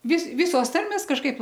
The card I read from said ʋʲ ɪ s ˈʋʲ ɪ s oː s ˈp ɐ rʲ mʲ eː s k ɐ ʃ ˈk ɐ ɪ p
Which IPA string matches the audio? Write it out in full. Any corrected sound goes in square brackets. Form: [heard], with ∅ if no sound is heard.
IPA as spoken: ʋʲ ɪ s ˈʋʲ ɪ s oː s [ˈt] ɐ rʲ mʲ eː s k ɐ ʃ ˈk ɐ ɪ p